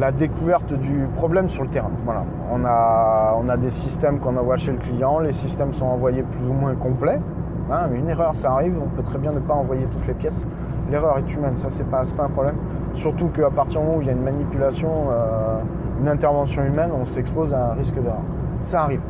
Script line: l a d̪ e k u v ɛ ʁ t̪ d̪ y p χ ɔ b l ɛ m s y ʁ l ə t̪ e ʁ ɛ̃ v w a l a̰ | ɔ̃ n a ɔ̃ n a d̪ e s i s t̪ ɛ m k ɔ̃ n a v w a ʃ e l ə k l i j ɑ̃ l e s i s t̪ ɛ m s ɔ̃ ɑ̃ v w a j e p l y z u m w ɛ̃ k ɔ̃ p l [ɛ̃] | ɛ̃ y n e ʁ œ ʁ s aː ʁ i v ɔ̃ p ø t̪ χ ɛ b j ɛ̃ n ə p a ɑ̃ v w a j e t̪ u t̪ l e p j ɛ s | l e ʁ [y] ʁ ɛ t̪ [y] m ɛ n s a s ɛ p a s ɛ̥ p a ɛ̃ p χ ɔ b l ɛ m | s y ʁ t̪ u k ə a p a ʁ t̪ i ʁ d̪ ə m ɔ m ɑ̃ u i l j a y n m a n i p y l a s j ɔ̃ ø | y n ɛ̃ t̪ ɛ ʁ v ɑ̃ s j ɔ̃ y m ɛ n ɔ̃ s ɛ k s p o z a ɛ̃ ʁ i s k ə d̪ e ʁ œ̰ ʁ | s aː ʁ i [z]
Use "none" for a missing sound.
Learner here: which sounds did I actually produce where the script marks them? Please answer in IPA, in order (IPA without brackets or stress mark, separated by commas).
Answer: ɛ, œ, y, v